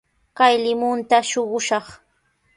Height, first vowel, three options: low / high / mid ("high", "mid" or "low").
low